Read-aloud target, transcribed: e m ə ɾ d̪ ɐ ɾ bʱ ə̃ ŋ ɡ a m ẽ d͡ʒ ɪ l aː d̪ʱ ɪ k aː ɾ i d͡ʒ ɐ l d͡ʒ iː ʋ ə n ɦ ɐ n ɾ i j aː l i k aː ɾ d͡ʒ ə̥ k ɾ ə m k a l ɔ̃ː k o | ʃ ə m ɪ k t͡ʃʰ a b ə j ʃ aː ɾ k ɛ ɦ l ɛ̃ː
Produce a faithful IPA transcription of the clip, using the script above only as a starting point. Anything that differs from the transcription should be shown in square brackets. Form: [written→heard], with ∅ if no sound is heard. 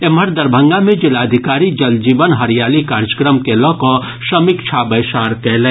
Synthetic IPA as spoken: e m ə ɾ d̪ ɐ ɾ bʱ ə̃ ŋ ɡ a m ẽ d͡ʒ ɪ l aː d̪ʱ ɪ k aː ɾ i d͡ʒ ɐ l d͡ʒ iː ʋ ə n ɦ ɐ [n→∅] ɾ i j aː l i k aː ɾ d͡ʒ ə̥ k ɾ ə m k [a→e] l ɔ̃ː k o | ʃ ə m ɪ k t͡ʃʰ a b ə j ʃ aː ɾ k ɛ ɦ l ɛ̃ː